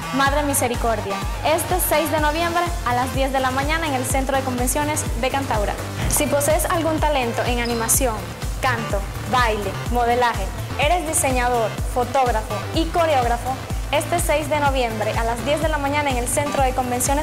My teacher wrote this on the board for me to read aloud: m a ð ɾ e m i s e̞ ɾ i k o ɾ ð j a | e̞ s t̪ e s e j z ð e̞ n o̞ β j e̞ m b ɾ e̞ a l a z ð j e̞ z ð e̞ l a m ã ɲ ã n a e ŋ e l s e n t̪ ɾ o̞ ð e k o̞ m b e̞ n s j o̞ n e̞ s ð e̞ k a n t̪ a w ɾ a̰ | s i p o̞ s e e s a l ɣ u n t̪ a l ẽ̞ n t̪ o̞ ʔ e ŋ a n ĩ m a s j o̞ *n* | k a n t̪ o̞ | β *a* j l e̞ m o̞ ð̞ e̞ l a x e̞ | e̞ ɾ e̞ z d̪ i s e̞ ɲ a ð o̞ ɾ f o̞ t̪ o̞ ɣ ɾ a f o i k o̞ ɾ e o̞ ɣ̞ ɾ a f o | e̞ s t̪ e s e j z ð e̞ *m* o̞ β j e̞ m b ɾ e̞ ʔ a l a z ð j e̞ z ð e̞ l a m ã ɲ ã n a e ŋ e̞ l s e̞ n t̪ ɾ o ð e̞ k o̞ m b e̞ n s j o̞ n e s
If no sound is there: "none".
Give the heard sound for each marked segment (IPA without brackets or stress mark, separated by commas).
ŋ, a, n